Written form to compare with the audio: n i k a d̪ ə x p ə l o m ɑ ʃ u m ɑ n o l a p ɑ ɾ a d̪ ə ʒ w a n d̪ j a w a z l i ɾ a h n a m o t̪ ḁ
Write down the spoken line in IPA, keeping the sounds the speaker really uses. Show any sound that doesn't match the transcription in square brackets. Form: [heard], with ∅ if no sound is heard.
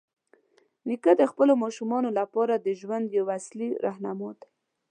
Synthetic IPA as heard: n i k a d̪ ə x p ə l o m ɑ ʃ u m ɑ n o l a p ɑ ɾ a d̪ ə ʒ w a n d̪ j a w a [s] l i ɾ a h n a m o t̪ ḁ